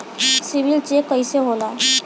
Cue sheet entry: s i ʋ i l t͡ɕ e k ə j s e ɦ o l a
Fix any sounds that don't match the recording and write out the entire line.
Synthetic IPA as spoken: s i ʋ i l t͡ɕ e k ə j s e ɦ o l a